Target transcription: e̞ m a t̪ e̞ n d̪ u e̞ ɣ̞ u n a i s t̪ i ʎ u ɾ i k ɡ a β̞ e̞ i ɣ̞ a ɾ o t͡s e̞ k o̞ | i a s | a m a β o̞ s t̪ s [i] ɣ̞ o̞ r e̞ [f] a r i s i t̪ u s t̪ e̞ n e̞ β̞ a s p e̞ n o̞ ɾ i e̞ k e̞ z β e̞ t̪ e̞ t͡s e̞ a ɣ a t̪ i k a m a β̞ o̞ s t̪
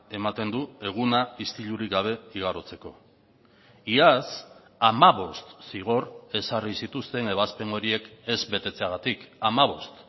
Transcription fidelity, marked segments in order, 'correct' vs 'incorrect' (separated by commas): correct, incorrect